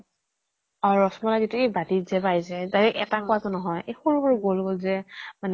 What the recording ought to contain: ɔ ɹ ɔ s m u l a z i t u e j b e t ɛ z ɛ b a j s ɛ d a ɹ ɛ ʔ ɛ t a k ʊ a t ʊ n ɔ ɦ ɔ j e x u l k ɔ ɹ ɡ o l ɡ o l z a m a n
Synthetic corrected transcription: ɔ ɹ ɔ s m ɔ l a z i t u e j b a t i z ɛ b a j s ɛ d a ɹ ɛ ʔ ɛ t a k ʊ a t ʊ n ɔ ɦ ɔ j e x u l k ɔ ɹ ɡ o l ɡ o l z ɛ m a n